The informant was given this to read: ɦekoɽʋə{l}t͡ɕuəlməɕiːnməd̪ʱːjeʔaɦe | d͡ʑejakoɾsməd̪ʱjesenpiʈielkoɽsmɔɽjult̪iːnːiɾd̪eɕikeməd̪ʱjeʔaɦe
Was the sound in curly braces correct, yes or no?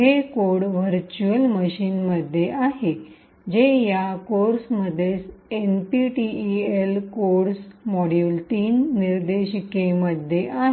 no